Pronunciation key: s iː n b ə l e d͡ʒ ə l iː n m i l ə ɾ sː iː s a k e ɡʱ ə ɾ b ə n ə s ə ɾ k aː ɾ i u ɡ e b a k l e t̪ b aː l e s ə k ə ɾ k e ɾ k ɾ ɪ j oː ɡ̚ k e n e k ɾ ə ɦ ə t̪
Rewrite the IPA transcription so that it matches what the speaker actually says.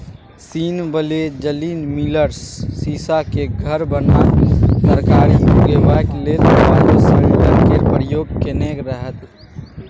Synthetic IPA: s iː n b ə l e d͡ʒ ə l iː n m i l ə ɾ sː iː s a k e ɡʱ ə ɾ b ə n a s ə ɾ k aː ɾ i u ɡ e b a k l e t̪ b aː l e s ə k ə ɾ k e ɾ p ɾ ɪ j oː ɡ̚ k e n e k ɾ ə ɦ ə t̪